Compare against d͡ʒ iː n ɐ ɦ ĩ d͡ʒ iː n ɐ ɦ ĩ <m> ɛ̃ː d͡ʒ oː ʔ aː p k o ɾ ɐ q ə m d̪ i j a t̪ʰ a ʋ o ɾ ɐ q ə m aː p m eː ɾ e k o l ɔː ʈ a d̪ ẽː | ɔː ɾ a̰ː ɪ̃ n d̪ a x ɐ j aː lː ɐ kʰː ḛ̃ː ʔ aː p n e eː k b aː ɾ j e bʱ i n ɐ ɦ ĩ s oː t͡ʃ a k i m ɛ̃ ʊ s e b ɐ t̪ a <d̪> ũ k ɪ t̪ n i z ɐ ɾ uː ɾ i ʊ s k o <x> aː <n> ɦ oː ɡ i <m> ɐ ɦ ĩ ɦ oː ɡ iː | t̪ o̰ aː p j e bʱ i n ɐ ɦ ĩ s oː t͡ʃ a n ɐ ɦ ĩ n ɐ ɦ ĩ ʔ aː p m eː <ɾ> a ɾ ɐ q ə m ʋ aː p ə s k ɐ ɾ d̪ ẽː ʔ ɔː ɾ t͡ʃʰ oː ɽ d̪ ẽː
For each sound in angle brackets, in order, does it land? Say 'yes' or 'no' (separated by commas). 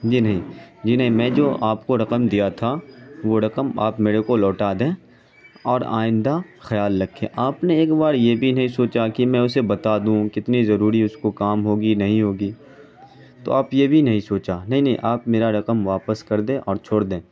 yes, yes, no, no, no, yes